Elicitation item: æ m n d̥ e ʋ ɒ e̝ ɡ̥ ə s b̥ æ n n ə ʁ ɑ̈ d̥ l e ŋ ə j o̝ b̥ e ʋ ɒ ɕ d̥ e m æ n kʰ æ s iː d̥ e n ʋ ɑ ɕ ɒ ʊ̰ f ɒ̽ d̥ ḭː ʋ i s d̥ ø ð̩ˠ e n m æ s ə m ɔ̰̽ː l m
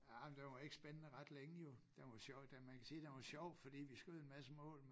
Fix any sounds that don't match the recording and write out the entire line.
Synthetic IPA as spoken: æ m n d̥ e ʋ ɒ e̝ ɡ̥ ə s b̥ e n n ə ʁ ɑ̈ d̥ l e ŋ ə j o̝ d̥ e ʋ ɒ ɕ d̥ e m æ n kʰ æ s iː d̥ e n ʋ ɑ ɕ ɒ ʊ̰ f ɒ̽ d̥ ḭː ʋ i s ɡ̥ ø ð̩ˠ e n m æ s ə m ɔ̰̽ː l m